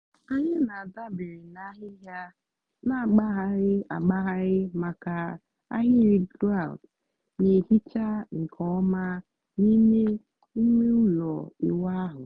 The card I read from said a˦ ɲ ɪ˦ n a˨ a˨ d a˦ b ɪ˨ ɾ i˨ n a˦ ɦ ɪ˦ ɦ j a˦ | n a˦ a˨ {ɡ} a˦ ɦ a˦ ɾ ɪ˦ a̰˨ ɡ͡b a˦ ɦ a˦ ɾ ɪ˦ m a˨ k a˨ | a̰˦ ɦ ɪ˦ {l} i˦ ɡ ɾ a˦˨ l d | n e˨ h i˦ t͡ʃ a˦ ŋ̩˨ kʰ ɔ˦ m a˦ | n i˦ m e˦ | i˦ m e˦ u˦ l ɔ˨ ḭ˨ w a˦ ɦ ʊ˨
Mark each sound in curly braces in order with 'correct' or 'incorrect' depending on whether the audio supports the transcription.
incorrect: ɡ͡b, incorrect: ɾ

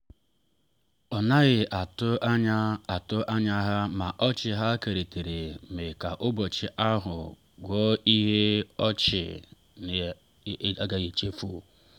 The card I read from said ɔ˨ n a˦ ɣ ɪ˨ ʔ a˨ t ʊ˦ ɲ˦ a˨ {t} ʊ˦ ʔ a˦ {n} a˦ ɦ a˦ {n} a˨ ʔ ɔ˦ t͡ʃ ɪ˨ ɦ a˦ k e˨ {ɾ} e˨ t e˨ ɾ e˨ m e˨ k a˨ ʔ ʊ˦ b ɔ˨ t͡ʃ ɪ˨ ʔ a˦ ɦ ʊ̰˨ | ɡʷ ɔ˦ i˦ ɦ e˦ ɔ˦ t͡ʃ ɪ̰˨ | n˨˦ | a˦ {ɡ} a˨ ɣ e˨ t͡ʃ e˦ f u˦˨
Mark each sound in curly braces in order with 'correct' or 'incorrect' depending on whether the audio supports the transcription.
correct, incorrect: ɲ, incorrect: m, correct, correct

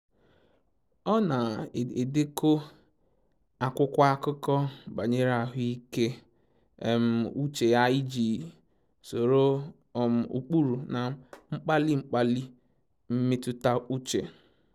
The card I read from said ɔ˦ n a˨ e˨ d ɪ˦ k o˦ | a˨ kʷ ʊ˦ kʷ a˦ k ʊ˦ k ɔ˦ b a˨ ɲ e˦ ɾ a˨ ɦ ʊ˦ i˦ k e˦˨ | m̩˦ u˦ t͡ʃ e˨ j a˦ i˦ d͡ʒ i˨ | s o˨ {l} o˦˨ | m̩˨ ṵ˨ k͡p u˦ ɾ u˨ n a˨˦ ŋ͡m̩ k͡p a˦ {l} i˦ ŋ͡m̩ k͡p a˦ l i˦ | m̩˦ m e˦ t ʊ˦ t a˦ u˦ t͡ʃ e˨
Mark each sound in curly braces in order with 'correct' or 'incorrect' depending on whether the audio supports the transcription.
incorrect: ɾ, correct

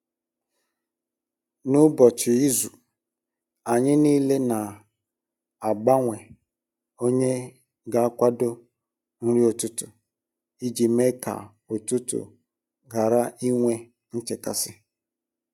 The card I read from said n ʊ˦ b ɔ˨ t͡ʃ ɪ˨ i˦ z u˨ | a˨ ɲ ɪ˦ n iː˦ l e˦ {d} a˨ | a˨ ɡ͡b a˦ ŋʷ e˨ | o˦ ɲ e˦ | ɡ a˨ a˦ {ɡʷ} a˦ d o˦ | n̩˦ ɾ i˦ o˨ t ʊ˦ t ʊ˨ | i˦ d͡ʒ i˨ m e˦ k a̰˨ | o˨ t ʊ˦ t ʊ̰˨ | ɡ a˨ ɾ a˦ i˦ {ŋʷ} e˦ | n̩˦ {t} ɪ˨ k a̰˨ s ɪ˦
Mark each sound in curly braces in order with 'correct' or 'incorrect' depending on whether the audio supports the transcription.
incorrect: n, incorrect: kʷ, correct, incorrect: t͡ʃ

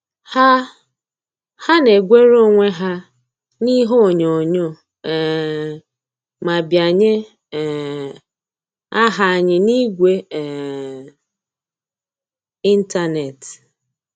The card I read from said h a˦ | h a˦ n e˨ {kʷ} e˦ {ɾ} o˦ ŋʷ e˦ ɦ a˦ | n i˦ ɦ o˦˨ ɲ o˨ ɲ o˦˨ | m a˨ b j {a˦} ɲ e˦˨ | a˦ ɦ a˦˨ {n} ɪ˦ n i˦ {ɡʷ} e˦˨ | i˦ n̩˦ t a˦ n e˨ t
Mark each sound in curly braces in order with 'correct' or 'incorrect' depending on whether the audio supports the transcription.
incorrect: ɡʷ, correct, incorrect: a˨, incorrect: ɲ, correct

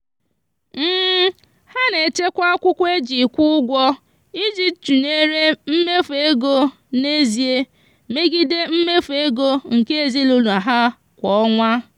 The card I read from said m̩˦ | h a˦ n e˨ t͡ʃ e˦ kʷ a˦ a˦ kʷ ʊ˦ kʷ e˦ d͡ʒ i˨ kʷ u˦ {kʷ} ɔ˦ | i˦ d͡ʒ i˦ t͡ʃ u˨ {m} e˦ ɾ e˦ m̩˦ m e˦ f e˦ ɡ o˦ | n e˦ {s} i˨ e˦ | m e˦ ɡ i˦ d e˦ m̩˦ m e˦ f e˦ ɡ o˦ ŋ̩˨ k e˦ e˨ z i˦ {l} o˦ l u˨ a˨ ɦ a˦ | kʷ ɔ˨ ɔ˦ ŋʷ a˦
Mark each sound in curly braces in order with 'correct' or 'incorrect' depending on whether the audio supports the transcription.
incorrect: ɡʷ, incorrect: n, incorrect: z, correct

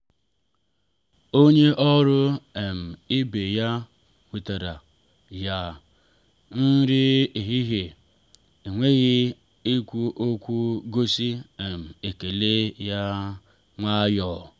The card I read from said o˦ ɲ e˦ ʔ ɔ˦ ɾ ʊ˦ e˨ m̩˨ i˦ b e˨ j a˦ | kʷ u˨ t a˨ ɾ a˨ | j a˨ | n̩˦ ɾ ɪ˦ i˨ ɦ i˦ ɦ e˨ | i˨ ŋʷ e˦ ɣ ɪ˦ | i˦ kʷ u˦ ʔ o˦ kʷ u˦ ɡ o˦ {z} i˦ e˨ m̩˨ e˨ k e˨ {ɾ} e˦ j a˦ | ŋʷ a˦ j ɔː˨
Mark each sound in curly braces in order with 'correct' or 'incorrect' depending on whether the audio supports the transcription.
incorrect: s, incorrect: l

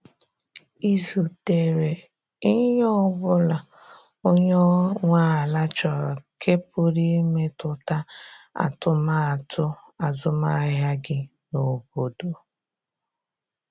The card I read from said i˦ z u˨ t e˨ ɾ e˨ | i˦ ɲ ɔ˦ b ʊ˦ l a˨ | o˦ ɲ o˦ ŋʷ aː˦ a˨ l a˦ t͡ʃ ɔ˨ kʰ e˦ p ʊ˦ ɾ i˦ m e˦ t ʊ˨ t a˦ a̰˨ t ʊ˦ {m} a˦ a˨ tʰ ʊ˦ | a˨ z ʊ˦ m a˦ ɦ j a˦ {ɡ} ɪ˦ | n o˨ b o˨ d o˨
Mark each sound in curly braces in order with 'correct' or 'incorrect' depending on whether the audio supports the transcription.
correct, correct

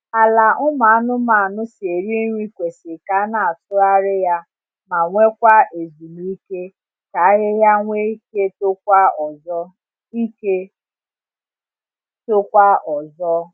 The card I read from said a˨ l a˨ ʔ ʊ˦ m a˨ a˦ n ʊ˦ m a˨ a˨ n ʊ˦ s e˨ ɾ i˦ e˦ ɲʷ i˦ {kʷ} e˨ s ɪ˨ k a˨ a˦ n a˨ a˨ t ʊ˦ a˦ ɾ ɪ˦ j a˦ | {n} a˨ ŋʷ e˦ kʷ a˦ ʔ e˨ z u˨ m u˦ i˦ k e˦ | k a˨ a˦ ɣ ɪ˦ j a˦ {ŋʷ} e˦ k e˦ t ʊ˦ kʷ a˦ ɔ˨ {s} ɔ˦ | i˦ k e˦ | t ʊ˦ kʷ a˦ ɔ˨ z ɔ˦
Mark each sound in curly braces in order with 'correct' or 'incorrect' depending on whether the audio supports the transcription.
correct, incorrect: m, correct, incorrect: z

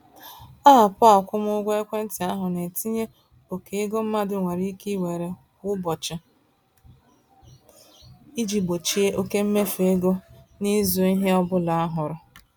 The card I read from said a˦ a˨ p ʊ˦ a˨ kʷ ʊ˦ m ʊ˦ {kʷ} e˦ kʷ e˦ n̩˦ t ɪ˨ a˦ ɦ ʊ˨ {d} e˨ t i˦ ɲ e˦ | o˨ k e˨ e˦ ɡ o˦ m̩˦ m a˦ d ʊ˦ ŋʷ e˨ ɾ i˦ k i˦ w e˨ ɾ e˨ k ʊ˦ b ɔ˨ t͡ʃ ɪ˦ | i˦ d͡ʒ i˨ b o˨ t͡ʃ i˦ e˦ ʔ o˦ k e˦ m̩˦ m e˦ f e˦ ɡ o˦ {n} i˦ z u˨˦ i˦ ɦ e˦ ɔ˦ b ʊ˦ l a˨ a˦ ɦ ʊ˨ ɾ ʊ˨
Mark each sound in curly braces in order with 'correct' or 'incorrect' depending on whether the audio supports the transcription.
incorrect: ɡʷ, incorrect: n, correct

